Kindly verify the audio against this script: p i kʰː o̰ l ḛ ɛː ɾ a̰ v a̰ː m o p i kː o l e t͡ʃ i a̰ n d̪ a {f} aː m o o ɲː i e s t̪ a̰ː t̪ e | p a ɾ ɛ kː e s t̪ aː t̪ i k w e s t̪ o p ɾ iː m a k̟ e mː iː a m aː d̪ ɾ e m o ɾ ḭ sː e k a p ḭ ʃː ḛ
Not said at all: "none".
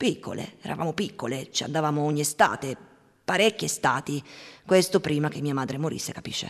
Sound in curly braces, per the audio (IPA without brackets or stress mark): v